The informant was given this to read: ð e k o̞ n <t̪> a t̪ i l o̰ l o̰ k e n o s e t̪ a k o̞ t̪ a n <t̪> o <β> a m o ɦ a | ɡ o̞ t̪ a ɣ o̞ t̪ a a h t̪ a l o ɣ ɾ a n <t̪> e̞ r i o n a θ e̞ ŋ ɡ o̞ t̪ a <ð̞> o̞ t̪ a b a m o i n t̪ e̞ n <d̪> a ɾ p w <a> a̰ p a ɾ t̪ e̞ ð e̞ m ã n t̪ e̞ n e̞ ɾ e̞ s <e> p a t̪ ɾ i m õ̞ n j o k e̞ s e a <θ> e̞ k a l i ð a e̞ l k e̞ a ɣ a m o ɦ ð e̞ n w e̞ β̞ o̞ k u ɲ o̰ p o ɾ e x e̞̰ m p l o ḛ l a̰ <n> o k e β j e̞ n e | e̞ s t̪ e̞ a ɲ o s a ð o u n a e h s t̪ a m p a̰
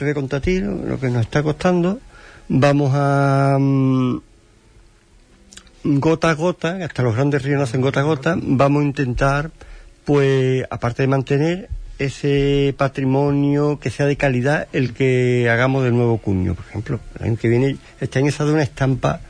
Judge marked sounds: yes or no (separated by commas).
yes, no, no, no, no, no, no, yes, no, no